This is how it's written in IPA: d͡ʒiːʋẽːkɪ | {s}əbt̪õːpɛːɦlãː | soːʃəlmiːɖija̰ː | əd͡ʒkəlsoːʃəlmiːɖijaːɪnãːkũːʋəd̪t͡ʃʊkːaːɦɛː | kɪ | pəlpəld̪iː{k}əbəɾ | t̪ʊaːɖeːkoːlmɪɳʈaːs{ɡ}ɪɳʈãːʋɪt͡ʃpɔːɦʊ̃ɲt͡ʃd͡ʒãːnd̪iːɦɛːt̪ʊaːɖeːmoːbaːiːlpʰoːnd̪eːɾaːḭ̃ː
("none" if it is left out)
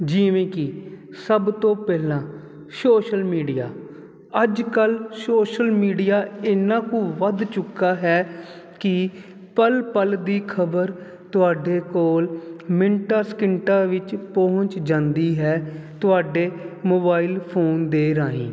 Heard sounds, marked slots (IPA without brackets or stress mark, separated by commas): s, kʰ, k